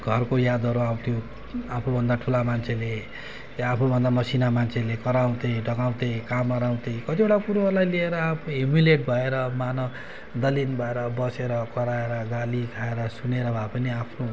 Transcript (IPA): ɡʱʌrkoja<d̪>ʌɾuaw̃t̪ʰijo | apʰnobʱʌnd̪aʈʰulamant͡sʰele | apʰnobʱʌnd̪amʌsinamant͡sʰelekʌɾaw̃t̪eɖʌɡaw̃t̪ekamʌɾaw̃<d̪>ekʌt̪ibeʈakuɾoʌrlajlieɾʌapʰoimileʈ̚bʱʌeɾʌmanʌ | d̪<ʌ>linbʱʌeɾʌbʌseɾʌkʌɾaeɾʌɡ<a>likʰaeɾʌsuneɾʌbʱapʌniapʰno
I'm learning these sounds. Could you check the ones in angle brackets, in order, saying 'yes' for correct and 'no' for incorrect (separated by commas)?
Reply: yes, no, yes, yes